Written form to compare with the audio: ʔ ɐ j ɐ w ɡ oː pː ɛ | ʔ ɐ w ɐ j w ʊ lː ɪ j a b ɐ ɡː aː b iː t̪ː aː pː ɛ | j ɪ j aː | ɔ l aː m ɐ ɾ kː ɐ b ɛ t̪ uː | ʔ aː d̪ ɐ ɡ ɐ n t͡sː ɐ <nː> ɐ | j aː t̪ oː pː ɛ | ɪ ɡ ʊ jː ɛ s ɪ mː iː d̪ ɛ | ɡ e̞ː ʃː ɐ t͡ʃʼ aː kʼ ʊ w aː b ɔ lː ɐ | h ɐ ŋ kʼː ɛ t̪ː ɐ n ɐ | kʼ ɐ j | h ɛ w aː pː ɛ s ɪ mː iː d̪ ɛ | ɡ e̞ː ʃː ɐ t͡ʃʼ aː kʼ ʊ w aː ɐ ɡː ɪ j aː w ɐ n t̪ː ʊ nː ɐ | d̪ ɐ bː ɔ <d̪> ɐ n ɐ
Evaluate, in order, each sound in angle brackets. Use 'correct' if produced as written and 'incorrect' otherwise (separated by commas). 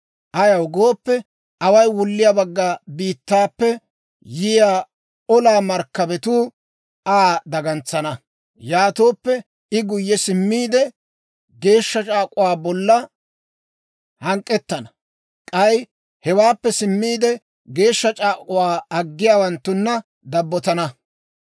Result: incorrect, incorrect